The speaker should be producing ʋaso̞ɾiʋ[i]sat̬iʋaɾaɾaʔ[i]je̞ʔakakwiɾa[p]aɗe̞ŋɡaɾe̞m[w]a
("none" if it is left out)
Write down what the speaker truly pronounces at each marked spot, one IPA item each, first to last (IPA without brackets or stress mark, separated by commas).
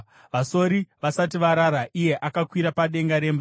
a, i, p, b